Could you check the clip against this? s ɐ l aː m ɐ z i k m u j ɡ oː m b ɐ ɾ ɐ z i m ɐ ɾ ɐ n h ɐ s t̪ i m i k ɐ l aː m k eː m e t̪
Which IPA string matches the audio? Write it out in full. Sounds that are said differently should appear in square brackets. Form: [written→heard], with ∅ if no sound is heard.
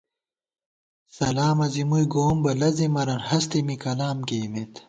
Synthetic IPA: s ɐ l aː m ɐ z i [k→∅] m u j ɡ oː m b ɐ [ɾ→l] ɐ z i m ɐ ɾ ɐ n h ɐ s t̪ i m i k ɐ l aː m k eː m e t̪